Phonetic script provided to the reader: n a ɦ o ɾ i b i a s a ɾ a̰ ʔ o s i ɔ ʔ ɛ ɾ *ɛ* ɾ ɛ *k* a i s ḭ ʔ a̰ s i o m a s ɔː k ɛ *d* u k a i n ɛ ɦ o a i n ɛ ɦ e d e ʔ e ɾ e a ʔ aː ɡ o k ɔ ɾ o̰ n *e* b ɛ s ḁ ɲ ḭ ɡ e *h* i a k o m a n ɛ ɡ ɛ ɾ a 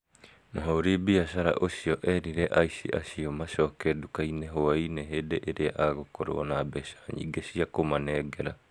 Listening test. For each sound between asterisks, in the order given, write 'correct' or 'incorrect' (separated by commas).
incorrect, incorrect, correct, incorrect, incorrect